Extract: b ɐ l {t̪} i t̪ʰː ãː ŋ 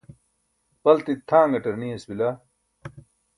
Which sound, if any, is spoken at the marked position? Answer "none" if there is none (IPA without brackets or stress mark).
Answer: t̪